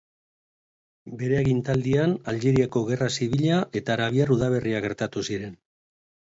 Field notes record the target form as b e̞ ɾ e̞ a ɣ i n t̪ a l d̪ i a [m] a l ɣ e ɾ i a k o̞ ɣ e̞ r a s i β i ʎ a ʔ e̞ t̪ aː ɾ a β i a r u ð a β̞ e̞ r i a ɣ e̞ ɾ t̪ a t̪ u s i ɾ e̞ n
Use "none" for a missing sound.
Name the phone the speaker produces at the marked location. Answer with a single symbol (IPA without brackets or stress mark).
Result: n